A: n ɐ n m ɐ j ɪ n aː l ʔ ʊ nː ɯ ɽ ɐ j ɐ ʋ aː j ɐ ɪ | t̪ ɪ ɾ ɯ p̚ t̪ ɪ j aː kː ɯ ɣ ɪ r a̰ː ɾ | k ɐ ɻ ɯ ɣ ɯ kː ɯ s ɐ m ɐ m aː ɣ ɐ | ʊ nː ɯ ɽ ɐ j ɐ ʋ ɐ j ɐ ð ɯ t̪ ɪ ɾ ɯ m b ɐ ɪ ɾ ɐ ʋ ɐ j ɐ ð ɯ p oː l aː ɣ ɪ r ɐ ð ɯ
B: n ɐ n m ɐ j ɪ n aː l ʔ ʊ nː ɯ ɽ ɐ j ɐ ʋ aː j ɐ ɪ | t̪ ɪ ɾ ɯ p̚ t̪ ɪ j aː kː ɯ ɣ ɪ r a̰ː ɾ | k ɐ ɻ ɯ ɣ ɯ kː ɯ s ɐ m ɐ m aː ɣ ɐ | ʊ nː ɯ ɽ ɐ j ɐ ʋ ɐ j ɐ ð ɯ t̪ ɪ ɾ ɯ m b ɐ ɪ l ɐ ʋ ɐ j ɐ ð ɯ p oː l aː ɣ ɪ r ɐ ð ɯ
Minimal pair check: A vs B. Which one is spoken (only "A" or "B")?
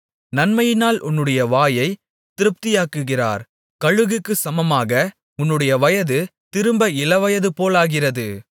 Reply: B